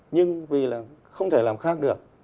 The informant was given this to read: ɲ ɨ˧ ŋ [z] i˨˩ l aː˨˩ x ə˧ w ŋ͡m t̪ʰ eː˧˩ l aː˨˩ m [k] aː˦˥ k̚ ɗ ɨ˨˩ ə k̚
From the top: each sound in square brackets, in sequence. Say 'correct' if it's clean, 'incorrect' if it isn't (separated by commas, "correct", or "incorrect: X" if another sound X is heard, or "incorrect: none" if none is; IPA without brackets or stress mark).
incorrect: v, incorrect: x